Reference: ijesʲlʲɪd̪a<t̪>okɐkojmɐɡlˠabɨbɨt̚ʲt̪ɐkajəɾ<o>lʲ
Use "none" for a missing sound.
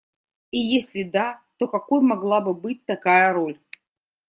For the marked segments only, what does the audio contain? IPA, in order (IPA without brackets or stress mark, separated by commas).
t̪, o